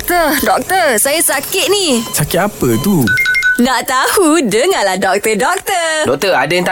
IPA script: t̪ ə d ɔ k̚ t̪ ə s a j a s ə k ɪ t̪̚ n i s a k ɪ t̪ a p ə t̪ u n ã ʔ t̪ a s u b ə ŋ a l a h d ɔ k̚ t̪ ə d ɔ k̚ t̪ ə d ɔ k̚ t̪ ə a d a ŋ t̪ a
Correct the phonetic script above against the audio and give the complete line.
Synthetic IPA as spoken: t̪ ə d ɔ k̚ t̪ ə s a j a s a k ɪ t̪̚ n i s a k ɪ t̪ a p ə t̪ u n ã ʔ t̪ a h u d ə ŋ a l a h d ɔ k̚ t̪ ə d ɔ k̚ t̪ ə d ɔ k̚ t̪ ə a d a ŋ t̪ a